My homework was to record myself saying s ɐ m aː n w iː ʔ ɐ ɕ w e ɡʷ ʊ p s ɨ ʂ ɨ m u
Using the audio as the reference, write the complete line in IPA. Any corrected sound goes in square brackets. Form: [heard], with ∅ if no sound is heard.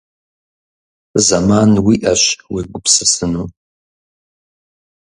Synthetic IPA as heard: [z] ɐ m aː n w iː ʔ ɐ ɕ w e ɡʷ ʊ p s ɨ [s] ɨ [n] u